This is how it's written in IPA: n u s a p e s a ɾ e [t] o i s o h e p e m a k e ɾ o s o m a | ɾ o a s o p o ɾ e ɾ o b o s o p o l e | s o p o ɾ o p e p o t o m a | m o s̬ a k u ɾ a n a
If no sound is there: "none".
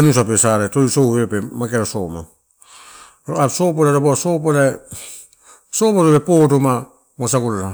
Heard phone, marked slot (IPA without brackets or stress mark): t